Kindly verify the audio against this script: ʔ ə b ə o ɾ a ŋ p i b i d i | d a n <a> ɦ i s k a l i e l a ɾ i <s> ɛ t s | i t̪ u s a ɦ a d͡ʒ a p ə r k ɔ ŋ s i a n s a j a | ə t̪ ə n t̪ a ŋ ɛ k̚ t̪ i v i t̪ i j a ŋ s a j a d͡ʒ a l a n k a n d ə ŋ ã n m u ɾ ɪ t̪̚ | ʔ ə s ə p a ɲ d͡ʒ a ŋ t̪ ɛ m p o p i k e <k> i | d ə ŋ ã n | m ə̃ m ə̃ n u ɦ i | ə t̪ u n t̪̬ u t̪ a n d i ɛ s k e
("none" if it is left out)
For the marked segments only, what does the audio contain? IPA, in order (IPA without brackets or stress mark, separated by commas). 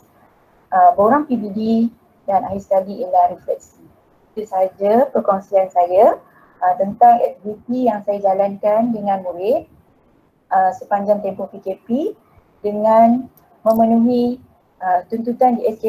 a, f, p